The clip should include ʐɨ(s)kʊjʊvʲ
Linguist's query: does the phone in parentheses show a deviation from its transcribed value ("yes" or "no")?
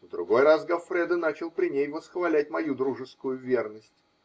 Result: no